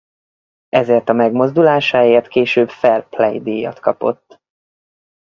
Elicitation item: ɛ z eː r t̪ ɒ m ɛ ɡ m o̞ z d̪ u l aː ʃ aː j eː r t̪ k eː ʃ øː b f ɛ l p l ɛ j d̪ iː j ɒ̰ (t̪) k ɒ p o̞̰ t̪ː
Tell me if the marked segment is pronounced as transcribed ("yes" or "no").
yes